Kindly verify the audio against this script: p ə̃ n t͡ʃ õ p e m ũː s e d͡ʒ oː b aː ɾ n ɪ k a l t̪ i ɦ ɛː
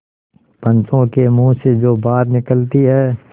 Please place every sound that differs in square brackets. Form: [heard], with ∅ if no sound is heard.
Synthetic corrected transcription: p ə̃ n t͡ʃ õ [k] e m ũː s e d͡ʒ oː b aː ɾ n ɪ k [ə] l t̪ i ɦ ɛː